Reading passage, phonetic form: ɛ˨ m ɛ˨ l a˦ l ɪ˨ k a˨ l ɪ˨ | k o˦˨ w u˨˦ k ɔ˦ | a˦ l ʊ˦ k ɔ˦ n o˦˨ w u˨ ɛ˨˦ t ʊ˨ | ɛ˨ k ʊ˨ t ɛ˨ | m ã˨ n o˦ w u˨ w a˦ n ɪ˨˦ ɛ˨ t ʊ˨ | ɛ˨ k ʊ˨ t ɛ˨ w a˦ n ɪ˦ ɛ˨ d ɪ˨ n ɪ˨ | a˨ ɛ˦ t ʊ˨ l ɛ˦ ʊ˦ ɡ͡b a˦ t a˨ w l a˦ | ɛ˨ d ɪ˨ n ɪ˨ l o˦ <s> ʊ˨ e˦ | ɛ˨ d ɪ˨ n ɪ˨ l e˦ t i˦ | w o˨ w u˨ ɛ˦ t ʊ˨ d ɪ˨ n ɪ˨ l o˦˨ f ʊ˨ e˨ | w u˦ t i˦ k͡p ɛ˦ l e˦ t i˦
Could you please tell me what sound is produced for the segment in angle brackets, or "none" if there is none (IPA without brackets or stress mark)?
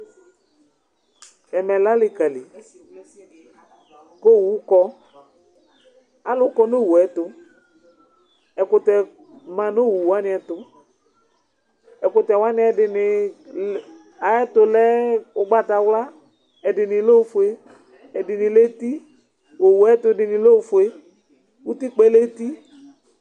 f